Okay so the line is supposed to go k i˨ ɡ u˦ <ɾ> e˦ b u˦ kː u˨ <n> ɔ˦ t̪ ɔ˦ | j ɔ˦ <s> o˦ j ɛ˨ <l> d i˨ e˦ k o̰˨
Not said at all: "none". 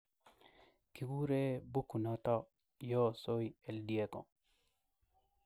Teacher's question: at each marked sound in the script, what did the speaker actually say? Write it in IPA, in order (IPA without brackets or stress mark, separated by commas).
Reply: ɾ, n, s, l